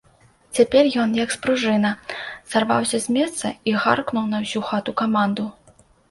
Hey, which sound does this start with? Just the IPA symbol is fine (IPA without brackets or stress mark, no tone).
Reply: t͡sʲ